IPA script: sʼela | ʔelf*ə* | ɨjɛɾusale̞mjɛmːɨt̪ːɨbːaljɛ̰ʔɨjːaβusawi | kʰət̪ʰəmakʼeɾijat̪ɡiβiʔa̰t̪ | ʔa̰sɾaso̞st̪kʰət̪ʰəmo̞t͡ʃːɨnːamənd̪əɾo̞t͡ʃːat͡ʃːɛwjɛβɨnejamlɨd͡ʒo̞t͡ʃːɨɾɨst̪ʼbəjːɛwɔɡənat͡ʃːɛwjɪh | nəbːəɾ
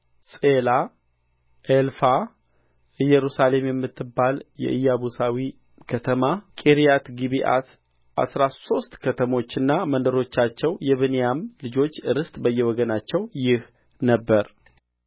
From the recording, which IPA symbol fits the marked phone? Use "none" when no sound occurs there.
a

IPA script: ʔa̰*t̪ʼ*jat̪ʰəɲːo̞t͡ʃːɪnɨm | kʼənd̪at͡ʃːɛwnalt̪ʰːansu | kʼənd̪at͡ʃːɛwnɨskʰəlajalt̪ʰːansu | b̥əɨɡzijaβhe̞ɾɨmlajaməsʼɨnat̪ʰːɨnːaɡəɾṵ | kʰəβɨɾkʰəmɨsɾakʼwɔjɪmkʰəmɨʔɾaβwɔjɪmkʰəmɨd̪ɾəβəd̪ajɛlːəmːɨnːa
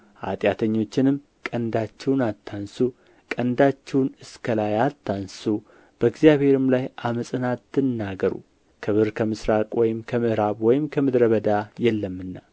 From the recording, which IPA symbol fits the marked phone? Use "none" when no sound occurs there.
t̪ʼ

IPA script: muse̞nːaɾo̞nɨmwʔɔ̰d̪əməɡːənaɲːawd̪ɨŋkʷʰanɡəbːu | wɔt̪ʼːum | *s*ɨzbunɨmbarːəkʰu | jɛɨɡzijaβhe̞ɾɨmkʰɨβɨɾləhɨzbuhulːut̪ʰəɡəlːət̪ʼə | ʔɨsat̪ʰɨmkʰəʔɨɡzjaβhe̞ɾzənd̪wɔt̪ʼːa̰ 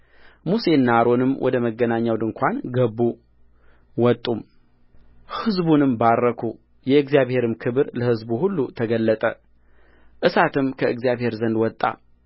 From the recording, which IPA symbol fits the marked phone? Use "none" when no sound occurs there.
h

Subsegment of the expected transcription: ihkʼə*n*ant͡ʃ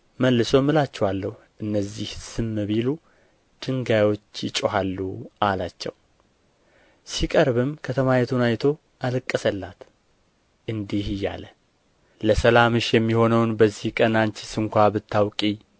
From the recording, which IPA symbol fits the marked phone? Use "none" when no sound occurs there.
n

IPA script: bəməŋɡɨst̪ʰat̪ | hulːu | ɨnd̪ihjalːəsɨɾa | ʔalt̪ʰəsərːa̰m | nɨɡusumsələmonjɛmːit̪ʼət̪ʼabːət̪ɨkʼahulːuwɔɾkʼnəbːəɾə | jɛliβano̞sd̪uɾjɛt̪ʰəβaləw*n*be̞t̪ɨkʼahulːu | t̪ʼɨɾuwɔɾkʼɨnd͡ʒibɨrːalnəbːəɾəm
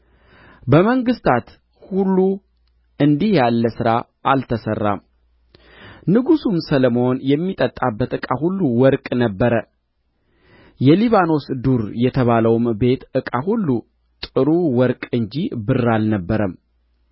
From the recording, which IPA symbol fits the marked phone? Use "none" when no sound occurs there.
m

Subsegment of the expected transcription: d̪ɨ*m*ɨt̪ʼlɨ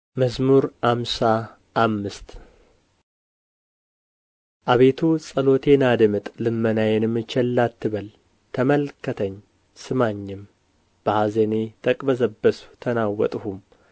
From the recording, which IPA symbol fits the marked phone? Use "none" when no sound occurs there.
m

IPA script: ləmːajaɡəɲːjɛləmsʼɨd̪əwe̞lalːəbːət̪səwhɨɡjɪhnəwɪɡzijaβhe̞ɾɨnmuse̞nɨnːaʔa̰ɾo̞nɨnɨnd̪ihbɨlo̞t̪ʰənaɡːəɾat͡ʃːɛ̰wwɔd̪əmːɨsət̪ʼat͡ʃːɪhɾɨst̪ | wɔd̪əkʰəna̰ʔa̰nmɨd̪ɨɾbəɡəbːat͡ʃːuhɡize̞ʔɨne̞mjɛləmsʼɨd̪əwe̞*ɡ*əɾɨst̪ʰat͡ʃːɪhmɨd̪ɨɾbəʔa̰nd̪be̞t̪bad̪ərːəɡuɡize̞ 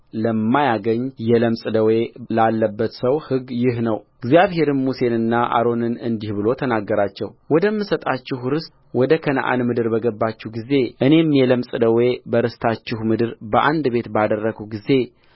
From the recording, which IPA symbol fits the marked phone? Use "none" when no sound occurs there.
b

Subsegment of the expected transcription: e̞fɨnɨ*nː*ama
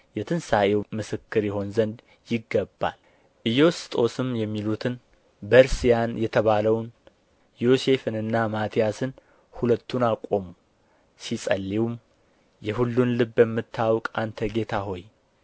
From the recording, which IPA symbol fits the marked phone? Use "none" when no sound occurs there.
nː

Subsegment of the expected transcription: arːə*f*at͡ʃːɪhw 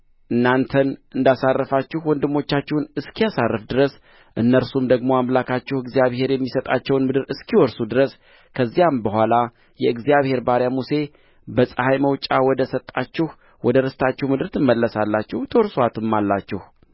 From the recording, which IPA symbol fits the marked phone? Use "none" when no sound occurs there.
f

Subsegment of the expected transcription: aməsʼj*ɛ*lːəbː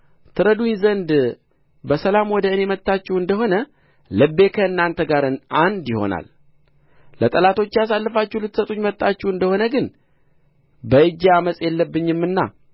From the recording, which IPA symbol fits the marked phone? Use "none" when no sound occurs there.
ɛ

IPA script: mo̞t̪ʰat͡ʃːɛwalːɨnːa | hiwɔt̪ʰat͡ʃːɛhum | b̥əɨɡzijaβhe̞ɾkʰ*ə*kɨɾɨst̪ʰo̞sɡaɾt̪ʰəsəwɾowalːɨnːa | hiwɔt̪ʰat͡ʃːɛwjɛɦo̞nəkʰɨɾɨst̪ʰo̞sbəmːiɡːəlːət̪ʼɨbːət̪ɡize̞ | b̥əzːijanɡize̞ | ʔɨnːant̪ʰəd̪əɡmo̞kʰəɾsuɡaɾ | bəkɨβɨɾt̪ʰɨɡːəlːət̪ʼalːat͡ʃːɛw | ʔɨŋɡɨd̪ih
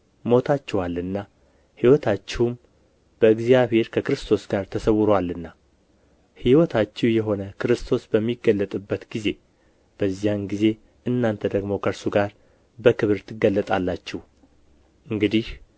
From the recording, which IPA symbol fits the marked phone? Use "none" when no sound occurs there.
ə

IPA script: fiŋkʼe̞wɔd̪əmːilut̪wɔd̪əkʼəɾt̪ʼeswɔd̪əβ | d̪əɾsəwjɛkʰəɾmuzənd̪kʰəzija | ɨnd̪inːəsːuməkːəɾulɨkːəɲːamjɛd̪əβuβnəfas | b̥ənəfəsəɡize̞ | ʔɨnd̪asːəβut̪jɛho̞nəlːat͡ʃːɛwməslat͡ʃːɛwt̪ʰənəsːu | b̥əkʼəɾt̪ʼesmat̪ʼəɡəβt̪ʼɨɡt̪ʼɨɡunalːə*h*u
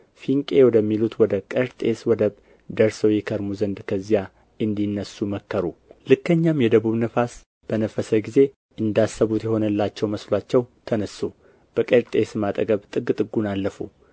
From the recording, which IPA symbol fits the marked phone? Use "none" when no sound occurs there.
f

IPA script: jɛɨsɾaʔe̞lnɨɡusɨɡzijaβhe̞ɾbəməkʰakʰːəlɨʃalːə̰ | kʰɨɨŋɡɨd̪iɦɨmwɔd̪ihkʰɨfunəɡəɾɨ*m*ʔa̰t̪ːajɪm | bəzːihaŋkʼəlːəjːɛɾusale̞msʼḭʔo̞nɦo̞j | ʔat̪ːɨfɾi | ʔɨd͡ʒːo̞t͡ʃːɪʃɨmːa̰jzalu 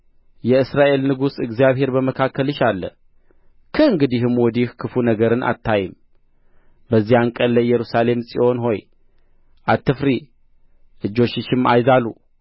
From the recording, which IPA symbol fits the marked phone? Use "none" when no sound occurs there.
n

